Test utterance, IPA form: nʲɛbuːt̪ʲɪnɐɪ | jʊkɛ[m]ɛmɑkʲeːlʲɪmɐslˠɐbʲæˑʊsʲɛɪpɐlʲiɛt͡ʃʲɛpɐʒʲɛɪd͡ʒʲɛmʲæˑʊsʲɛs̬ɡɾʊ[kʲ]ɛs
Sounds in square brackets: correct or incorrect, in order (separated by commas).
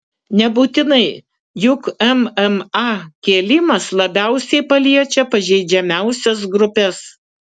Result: correct, incorrect